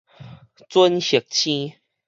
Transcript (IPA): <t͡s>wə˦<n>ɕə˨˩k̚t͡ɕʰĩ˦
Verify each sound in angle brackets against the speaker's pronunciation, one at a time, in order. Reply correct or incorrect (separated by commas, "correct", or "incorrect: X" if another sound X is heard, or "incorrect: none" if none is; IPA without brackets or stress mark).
correct, correct